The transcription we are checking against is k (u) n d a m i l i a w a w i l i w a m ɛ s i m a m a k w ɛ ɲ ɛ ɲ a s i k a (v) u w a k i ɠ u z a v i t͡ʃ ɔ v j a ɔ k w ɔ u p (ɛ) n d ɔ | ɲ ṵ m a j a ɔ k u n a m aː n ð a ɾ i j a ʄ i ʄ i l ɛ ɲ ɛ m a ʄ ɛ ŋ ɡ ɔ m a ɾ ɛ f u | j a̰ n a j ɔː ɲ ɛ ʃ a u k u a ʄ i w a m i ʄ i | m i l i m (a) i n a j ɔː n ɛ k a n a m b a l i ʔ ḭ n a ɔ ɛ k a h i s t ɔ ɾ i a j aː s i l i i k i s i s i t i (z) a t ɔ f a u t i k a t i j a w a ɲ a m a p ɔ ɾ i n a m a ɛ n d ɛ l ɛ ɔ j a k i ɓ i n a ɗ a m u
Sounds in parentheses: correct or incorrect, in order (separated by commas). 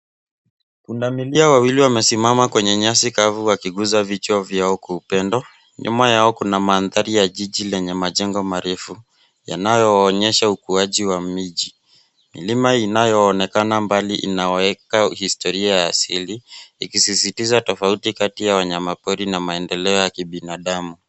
correct, correct, correct, correct, correct